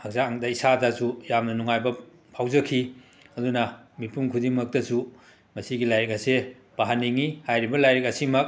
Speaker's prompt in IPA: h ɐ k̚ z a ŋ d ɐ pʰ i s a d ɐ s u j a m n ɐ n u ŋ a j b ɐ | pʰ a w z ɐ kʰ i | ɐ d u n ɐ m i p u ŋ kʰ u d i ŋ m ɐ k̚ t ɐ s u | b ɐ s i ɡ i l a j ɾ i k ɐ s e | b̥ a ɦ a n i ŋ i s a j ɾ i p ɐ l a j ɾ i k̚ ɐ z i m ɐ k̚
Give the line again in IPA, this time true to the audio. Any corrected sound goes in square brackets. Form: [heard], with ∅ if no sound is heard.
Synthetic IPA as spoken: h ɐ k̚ z a ŋ d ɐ [∅] i s a d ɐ s u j a m n ɐ n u ŋ a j b ɐ | pʰ a w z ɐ kʰ i | ɐ d u n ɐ m i p u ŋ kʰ u d i ŋ m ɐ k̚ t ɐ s u | [m] ɐ s i ɡ i l a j ɾ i k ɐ s e | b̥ a ɦ a n i ŋ i [h] a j ɾ i [b] ɐ l a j ɾ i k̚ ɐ [s] i m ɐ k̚